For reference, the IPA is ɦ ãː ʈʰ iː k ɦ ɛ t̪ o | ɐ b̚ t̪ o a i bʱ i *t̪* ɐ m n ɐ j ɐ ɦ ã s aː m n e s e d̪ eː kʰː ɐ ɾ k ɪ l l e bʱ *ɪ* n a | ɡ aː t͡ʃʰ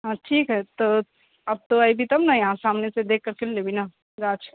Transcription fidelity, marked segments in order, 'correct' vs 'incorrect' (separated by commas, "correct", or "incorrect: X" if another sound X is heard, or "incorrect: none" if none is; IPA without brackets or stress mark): correct, incorrect: i